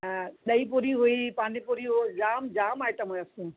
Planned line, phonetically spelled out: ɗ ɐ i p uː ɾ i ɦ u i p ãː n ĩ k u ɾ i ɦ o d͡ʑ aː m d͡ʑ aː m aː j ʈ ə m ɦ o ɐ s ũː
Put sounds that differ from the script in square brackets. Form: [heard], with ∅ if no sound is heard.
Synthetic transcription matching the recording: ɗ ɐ i p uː ɾ i ɦ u i p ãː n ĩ [p] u ɾ i ɦ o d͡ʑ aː m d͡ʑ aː m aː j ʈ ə m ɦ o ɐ s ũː